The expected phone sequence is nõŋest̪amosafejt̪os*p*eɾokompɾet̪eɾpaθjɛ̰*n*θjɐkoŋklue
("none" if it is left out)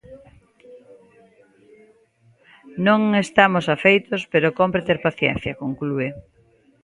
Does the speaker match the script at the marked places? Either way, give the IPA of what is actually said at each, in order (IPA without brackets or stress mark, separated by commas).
p, n